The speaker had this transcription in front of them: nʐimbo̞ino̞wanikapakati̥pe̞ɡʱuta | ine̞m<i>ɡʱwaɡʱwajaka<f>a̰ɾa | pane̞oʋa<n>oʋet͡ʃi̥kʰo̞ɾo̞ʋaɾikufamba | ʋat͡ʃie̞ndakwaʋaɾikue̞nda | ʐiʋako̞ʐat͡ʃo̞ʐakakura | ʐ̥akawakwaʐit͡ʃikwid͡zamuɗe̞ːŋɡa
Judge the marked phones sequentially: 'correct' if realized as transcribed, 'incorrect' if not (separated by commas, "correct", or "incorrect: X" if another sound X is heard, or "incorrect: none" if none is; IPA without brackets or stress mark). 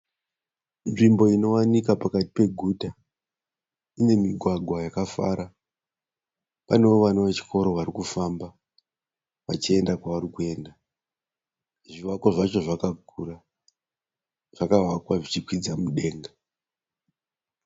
correct, correct, correct